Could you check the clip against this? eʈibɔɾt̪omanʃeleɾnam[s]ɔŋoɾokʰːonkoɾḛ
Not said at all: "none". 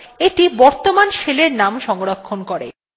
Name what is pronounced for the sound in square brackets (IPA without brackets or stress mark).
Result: ʃ